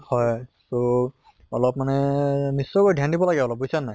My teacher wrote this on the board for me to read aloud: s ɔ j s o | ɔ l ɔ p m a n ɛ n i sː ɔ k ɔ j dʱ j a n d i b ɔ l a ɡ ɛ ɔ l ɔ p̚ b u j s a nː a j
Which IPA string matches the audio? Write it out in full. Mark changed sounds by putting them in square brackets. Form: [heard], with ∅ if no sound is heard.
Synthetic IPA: [h] ɔ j s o | ɔ l ɔ p m a n ɛ n i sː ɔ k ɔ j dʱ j a n d i b ɔ l a ɡ ɛ ɔ l ɔ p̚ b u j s a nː a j